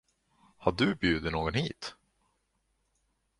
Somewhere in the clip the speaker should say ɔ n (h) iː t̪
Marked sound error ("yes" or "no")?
no